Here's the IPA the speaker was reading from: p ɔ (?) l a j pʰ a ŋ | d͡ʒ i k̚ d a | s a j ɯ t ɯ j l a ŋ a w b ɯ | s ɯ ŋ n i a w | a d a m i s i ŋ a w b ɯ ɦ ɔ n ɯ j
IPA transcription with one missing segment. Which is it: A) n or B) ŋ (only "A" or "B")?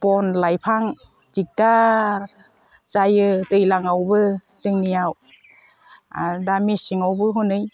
A